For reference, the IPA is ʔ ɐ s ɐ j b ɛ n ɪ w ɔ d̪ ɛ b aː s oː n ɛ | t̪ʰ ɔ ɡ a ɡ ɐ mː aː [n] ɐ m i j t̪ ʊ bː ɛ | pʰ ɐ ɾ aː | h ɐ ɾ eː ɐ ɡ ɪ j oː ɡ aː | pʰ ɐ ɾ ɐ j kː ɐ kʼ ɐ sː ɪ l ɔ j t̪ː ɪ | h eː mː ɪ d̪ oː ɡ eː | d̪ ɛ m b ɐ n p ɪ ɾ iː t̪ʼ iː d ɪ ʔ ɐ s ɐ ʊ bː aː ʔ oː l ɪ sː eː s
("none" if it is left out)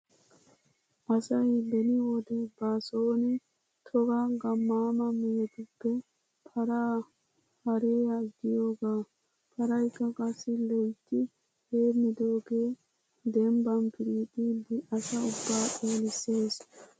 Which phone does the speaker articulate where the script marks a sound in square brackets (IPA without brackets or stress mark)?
m